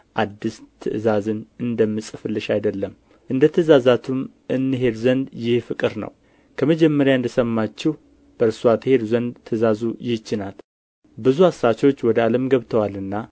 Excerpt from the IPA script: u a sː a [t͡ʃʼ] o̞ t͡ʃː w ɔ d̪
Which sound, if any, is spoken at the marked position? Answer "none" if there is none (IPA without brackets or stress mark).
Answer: t͡ʃ